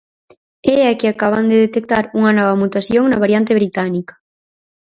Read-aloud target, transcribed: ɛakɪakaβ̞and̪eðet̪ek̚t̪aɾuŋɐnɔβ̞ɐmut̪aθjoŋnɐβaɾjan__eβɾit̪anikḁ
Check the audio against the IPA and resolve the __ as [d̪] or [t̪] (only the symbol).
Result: t̪